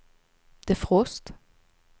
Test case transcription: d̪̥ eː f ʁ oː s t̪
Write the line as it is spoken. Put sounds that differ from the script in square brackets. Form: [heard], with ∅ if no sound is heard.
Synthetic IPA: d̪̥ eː f ʁ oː s t̪